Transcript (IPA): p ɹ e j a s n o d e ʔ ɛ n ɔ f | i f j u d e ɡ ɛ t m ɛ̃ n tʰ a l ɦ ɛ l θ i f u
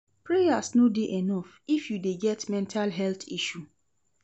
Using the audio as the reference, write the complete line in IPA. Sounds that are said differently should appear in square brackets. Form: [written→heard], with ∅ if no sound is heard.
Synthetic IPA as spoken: p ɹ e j a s n o d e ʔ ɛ n ɔ f | i f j u d e ɡ ɛ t m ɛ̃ n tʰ a l ɦ ɛ l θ i [f→ʃ] u